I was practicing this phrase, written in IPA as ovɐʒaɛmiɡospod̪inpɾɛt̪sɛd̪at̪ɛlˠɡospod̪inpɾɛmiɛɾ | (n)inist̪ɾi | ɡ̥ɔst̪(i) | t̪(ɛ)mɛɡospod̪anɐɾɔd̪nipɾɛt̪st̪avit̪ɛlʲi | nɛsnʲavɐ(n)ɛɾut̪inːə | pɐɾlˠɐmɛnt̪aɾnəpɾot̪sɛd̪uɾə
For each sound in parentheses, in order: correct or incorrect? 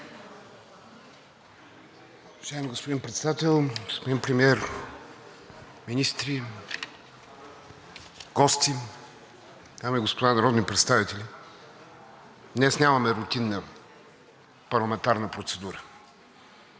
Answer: incorrect, correct, incorrect, incorrect

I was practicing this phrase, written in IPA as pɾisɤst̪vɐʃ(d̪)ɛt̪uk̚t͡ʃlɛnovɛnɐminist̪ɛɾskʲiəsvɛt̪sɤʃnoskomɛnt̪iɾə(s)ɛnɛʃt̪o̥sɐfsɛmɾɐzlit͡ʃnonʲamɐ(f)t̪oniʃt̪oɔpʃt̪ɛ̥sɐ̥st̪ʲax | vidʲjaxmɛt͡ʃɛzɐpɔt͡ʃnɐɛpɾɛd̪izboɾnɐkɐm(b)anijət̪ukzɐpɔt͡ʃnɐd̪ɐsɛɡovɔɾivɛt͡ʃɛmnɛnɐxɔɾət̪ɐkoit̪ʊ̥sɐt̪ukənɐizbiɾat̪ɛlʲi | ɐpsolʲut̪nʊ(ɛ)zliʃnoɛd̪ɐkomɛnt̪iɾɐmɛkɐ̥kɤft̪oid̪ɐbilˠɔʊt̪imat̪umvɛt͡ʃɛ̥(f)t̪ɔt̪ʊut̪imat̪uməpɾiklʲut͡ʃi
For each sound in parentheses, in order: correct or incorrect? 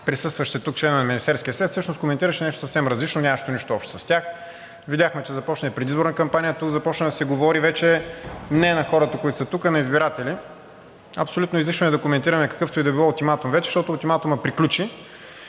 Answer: incorrect, incorrect, incorrect, incorrect, incorrect, incorrect

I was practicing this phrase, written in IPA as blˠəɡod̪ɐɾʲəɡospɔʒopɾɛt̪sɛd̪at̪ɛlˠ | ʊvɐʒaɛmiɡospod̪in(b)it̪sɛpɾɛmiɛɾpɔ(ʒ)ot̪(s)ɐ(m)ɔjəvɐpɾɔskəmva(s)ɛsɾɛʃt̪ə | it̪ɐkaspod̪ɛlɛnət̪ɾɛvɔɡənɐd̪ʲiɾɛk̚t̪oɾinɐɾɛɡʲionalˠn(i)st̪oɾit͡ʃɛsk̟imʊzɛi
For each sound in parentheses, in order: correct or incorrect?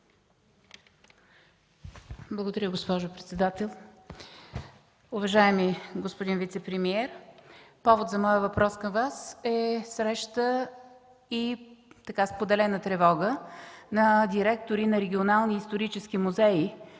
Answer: incorrect, incorrect, incorrect, correct, correct, incorrect

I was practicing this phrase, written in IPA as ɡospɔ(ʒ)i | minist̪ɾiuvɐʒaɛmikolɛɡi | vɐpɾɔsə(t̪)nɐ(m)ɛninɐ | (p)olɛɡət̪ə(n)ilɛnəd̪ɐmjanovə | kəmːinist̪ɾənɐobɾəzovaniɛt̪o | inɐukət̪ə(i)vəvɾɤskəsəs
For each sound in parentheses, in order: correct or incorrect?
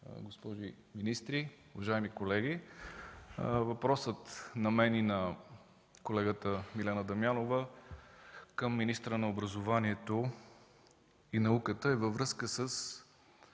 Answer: correct, correct, correct, incorrect, incorrect, incorrect

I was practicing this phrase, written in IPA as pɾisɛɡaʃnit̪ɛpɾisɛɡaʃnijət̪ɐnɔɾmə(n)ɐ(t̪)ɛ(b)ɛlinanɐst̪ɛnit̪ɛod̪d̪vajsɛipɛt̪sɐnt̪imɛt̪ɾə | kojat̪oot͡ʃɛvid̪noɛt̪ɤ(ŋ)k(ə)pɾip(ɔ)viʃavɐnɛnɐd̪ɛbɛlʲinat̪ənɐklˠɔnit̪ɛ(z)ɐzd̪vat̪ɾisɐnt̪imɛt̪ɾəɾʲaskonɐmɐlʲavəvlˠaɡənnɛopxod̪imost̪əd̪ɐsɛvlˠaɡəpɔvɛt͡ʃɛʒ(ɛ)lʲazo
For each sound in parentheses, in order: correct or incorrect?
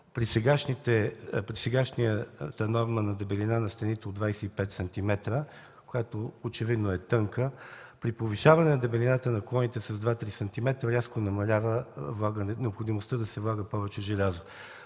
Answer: correct, incorrect, correct, correct, correct, incorrect, incorrect, correct

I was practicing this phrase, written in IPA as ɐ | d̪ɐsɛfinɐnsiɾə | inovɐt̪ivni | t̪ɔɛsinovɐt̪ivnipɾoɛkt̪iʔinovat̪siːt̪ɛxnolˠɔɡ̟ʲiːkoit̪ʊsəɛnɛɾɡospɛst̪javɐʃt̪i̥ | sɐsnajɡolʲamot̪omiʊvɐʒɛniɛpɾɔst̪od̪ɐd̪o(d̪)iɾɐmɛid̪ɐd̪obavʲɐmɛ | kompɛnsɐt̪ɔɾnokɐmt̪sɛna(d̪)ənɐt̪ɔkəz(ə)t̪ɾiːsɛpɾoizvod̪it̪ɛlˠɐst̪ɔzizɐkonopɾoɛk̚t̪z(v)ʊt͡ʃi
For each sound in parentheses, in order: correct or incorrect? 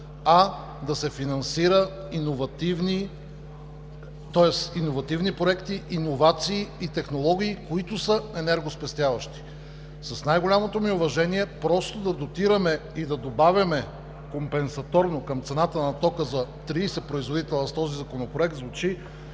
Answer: incorrect, incorrect, incorrect, correct

